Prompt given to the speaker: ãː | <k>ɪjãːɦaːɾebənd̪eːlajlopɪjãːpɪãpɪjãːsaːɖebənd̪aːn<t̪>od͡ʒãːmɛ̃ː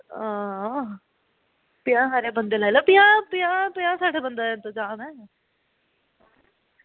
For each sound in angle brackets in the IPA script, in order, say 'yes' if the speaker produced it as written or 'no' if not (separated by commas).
no, yes